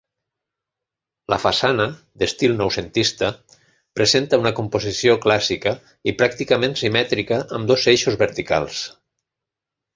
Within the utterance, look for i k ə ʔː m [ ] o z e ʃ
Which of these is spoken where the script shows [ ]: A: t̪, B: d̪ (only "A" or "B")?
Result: B